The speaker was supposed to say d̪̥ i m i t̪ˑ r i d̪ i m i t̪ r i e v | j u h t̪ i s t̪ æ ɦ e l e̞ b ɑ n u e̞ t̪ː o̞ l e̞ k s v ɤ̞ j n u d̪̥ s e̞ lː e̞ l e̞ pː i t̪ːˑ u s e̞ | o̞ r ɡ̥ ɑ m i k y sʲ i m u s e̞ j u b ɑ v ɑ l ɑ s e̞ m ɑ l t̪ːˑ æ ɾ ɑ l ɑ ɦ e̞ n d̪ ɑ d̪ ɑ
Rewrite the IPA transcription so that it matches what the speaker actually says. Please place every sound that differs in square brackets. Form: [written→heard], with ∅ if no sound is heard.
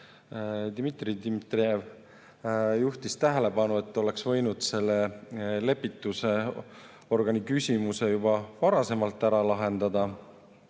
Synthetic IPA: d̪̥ i m i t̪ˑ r i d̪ i m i t̪ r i e v | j u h t̪ i s t̪ æ ɦ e l e̞ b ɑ n u e̞ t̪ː o̞ l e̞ k s v ɤ̞ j n u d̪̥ s e̞ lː e̞ l e̞ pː i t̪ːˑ u s e̞ | o̞ r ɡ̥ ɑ [m→n] i k y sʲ i m u s e̞ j u b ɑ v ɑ [l→ɾ] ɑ s e̞ m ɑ l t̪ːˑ æ ɾ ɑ l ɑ ɦ e̞ n d̪ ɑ d̪ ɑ